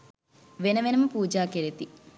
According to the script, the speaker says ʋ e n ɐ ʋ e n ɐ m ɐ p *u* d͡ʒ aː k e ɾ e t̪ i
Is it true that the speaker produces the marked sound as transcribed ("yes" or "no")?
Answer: no